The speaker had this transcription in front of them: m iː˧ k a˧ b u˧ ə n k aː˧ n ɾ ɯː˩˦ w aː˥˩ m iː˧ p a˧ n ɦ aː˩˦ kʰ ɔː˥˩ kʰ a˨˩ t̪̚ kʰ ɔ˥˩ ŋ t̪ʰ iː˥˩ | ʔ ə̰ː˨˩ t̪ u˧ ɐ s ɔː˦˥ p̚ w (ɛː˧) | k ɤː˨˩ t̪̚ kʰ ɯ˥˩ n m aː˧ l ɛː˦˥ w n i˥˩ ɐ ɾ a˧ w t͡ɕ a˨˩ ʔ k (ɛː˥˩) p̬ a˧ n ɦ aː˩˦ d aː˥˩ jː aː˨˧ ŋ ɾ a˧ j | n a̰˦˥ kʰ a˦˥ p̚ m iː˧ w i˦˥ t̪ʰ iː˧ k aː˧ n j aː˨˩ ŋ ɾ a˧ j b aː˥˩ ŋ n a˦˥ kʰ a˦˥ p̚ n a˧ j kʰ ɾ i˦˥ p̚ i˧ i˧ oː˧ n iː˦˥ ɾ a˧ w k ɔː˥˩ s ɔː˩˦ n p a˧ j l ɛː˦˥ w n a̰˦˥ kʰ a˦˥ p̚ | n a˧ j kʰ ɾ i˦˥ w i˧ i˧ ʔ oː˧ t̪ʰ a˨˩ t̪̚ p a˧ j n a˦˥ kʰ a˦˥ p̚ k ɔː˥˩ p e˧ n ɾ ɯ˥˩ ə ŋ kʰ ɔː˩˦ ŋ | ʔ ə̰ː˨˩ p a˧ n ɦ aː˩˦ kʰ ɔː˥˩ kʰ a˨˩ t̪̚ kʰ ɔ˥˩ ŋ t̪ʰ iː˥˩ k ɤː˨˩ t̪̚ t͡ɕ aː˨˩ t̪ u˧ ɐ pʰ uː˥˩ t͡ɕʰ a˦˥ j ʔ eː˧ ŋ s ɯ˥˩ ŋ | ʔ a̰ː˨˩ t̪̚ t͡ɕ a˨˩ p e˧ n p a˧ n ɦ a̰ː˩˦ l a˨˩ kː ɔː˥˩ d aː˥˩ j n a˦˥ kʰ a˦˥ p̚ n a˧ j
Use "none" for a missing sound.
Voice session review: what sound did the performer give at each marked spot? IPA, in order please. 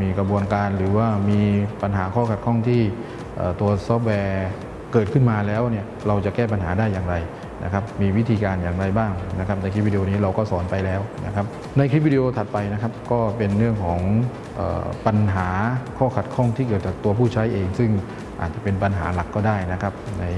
ɛː˧, ɛː˥˩

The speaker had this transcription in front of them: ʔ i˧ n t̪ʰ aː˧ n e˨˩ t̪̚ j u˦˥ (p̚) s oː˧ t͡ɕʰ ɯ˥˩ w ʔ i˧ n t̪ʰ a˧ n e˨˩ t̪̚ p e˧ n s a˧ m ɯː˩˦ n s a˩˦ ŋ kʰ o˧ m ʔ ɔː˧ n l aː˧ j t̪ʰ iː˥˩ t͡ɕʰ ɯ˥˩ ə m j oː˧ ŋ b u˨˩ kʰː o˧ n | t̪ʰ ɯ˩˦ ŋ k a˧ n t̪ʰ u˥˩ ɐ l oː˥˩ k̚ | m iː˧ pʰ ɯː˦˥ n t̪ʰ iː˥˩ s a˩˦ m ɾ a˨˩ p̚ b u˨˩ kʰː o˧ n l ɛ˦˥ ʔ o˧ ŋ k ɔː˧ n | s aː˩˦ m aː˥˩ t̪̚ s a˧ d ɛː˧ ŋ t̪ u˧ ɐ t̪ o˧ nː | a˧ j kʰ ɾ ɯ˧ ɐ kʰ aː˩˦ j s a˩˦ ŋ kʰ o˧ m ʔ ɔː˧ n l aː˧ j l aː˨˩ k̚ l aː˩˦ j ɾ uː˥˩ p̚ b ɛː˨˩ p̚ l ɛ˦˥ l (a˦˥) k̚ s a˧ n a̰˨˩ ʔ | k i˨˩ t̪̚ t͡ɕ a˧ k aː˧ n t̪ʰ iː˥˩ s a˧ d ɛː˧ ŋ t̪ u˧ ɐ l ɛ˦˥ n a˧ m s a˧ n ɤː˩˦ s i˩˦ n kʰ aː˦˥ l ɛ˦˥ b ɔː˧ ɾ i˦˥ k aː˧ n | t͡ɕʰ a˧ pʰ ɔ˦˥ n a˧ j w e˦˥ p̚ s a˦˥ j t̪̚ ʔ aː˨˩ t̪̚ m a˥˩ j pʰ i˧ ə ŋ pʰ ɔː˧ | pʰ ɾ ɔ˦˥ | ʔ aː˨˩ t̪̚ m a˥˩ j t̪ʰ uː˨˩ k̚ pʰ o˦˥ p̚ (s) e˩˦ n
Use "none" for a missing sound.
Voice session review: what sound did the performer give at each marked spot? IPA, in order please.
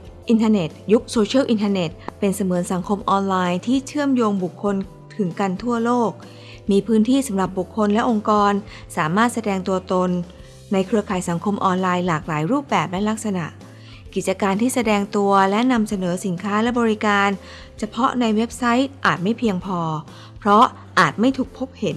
k̚, a˦˥, h

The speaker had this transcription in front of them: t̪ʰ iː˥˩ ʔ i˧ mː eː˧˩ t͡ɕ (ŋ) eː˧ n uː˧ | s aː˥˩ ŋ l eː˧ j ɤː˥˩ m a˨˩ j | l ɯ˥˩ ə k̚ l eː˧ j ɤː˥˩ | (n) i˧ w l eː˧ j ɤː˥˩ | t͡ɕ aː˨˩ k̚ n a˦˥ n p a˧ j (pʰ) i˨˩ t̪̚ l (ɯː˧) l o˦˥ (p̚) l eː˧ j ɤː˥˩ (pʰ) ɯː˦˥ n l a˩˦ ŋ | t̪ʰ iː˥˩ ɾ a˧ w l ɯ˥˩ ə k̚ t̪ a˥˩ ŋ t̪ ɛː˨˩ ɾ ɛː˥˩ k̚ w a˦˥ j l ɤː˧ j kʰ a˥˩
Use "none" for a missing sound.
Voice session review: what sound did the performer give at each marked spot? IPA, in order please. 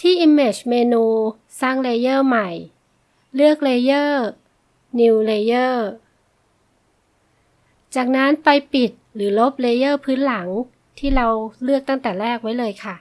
m, n, p, ɯː˩˦, p̚, pʰ

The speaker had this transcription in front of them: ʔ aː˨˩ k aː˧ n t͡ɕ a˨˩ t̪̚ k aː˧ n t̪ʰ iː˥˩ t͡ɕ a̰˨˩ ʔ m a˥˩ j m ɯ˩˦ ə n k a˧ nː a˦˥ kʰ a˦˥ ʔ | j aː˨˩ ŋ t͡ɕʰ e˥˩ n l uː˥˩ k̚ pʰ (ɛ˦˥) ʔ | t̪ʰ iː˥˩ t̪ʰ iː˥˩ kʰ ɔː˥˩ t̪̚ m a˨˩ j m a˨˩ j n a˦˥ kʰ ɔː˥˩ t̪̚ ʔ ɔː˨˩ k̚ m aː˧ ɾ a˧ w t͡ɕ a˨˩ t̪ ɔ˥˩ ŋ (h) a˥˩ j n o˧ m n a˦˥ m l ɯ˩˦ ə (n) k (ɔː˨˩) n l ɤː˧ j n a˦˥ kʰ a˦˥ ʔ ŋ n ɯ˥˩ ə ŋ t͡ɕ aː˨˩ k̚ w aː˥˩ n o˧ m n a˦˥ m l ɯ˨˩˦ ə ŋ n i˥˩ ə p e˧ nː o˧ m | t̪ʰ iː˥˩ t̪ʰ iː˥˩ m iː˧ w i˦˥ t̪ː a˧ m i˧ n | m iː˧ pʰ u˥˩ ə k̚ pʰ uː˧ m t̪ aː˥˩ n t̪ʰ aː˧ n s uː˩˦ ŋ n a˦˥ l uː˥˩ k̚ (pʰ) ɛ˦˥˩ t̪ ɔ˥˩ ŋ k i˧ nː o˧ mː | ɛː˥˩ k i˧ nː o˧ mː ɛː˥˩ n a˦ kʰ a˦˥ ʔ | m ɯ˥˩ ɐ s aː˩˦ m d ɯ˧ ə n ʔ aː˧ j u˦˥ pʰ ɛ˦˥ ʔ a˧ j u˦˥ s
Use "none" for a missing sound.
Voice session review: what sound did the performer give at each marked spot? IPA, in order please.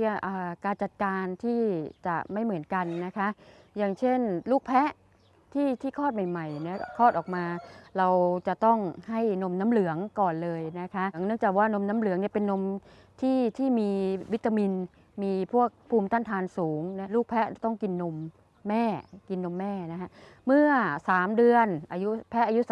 ɛ˦˥, h, ŋ, ɔː˨˩, pʰ

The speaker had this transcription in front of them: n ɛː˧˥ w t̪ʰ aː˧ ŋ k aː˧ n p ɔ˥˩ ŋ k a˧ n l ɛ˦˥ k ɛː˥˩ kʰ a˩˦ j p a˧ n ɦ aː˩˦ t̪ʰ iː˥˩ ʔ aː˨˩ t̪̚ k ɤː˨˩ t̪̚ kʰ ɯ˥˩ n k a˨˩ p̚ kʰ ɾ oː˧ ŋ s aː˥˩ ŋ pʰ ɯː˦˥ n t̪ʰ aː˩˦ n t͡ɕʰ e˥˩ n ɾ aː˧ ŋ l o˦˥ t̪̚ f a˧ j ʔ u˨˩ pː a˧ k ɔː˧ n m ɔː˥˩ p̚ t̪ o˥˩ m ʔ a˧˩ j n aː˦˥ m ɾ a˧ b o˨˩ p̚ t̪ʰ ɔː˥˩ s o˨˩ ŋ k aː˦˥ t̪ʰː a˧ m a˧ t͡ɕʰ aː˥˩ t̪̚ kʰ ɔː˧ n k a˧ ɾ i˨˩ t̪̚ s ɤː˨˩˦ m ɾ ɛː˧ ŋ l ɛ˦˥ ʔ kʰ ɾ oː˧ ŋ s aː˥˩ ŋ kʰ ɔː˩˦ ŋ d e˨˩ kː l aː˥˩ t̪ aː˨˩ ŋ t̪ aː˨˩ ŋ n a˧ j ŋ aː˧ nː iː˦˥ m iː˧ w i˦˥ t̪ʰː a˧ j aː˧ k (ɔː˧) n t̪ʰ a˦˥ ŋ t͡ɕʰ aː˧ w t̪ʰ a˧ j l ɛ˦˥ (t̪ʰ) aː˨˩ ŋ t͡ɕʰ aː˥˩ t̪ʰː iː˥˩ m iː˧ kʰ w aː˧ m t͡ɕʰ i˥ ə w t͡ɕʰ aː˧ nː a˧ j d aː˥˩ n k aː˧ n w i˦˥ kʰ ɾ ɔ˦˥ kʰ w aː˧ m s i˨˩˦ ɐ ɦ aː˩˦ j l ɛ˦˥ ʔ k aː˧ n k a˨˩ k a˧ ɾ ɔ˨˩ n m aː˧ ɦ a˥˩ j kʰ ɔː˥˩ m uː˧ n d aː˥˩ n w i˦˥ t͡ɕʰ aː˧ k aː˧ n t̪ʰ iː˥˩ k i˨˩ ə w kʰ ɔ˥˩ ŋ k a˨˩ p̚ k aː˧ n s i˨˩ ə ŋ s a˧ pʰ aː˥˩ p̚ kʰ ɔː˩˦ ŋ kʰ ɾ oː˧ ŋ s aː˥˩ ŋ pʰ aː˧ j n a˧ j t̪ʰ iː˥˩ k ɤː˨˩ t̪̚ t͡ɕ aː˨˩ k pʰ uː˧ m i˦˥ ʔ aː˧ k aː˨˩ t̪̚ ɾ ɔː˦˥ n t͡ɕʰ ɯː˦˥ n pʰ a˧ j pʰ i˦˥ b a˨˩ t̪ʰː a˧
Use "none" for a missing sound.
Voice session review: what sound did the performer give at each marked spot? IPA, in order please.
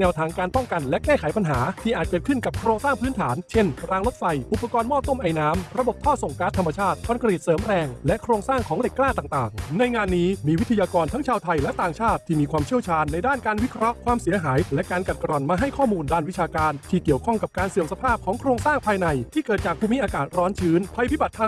ɔː˧, t̪

